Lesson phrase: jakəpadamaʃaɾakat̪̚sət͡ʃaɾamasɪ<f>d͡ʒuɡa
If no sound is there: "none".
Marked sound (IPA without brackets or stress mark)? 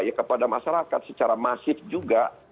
f